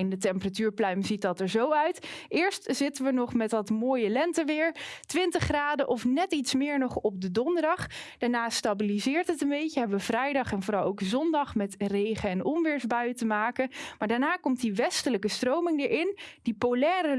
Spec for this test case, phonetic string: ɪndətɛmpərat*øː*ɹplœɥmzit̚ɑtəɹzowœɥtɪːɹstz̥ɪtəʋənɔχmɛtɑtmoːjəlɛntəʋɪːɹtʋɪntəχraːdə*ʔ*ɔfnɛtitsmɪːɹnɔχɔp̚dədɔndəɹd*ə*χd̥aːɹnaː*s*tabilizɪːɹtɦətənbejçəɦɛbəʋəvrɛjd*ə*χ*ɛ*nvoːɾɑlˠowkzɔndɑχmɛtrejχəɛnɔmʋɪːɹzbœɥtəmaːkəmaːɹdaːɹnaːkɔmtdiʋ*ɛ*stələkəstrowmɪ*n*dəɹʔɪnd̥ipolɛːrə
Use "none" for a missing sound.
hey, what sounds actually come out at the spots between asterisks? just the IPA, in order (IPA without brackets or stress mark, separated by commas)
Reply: yː, ʔ, ɑ, s, ɑ, ɛ, ɛ, ŋ